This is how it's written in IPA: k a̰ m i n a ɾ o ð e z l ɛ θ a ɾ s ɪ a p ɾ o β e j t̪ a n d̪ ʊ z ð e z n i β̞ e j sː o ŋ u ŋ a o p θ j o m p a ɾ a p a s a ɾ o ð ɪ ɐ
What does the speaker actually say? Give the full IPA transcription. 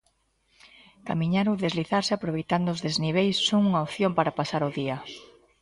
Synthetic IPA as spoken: k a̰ m i ɲ a ɾ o ð e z l i θ a ɾ s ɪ a p ɾ o β e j t̪ a n d̪ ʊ z ð e z n i β̞ e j sː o ŋ u ŋ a o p θ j o m p a ɾ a p a s a ɾ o ð i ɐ